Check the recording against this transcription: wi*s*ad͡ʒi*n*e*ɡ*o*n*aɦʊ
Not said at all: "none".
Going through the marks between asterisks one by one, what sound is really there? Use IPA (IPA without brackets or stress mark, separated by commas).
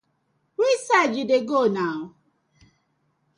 s, d, ɡ, n